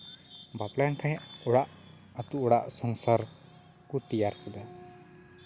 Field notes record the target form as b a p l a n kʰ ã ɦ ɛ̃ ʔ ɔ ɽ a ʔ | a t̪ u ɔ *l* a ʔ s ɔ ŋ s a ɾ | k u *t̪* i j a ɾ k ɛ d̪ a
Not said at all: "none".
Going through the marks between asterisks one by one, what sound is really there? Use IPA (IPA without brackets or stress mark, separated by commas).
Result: ɽ, t̪